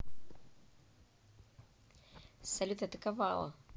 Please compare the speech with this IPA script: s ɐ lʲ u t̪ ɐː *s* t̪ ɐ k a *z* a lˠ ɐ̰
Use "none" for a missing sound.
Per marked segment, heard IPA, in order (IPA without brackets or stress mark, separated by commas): none, v